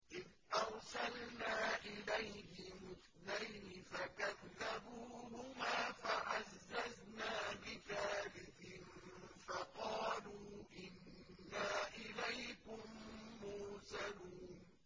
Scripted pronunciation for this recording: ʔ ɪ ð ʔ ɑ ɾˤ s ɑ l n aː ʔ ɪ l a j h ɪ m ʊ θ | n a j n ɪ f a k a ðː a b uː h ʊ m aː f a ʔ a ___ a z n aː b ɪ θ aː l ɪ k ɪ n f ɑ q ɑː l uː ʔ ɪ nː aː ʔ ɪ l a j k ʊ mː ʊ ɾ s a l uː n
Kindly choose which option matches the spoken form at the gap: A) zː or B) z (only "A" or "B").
A